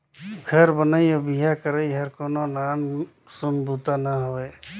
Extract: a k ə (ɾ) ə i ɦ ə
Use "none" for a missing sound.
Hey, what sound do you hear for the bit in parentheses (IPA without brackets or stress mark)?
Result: ɾ